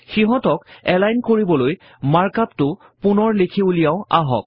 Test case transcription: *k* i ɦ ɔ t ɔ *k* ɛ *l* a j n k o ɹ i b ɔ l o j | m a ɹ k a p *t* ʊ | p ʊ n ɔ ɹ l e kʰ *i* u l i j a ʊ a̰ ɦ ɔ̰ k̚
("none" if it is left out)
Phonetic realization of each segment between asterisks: x, k, l, t, i

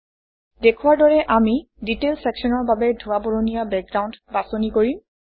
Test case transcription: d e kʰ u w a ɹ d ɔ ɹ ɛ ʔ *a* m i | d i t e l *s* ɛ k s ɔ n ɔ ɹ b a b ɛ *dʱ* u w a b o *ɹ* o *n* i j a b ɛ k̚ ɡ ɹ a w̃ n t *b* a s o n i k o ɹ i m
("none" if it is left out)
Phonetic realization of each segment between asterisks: a, s, dʱ, ɹ, n, b

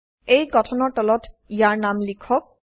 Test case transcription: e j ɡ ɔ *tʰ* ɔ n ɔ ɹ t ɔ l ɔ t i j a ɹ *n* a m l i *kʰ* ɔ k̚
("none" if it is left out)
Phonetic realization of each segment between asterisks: tʰ, n, kʰ

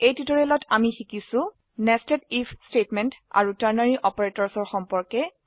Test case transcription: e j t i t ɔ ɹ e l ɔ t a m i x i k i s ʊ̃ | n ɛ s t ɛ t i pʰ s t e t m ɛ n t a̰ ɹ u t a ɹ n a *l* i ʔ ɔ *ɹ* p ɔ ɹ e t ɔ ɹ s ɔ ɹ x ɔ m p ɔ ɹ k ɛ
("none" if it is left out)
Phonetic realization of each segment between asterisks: ɹ, none

